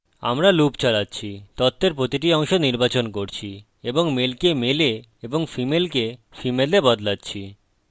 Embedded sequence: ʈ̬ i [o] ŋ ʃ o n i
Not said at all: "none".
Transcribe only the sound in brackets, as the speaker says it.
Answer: ɔ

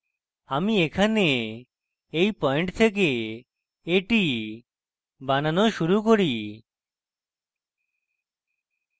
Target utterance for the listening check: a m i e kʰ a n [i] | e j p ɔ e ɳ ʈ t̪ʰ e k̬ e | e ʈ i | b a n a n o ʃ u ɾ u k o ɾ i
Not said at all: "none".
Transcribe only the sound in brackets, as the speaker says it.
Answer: e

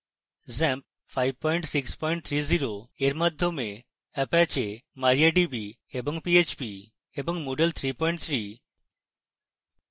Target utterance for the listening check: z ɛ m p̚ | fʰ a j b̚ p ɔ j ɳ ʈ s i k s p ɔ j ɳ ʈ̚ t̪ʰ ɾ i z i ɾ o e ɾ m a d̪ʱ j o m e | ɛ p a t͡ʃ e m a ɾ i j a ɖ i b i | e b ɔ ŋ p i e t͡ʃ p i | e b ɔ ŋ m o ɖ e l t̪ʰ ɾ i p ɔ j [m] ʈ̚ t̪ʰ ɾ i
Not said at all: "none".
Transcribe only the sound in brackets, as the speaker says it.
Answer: ɳ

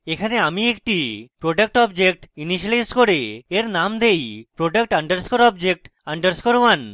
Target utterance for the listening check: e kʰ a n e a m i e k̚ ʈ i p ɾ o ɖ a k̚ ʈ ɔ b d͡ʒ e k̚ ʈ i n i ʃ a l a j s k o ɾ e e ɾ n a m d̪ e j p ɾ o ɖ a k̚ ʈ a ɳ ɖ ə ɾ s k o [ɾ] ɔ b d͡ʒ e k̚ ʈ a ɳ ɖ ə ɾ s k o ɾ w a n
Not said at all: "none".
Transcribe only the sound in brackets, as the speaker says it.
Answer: ɾ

